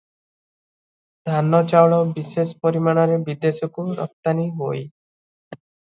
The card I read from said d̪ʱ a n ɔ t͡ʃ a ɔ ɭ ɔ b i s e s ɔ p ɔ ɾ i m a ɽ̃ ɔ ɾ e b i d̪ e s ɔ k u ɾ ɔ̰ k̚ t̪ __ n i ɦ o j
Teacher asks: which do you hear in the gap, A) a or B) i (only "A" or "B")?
A